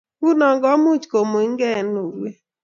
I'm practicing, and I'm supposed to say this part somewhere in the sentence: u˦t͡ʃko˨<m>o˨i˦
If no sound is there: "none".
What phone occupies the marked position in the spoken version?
m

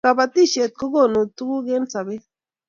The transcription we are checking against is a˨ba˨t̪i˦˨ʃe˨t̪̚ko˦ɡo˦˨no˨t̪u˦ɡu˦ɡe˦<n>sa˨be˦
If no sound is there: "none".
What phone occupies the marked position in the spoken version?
n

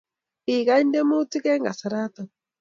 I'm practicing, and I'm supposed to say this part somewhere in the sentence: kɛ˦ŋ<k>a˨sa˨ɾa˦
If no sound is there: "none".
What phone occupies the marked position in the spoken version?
ɡ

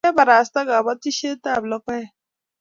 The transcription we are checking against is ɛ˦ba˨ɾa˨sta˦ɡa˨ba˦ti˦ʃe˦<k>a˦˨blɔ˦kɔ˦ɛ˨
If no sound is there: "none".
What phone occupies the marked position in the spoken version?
t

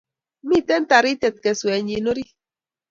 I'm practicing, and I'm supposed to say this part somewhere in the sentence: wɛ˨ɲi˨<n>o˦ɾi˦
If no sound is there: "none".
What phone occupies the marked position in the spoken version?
n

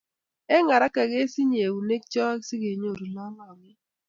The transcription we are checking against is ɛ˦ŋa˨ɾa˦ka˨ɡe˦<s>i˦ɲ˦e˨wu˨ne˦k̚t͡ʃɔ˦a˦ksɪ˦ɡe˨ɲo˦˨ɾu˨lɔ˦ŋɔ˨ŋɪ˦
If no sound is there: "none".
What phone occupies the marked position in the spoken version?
s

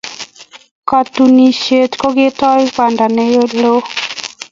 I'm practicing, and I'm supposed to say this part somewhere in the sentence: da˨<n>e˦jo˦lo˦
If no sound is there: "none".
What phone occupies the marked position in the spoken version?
n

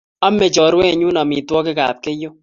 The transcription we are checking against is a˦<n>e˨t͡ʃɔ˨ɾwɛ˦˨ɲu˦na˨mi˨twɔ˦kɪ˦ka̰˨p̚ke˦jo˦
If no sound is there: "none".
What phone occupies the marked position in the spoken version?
m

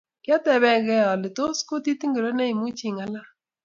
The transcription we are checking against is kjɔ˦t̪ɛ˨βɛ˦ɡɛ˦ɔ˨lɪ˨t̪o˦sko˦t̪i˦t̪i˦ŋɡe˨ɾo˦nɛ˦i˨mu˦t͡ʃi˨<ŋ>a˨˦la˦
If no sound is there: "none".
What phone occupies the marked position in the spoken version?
ŋ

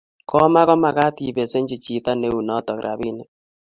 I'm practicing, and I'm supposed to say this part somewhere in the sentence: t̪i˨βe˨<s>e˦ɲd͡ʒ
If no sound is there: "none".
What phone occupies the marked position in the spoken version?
s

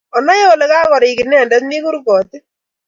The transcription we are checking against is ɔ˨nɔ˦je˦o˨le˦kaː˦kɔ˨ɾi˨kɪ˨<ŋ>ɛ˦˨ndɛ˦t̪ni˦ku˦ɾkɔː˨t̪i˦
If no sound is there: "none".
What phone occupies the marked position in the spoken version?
n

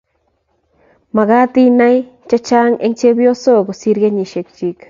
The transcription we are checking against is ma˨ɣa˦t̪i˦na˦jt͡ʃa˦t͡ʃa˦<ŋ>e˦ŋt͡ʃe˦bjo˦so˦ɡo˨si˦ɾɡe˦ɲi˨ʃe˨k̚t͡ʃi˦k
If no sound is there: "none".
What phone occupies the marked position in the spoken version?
ŋ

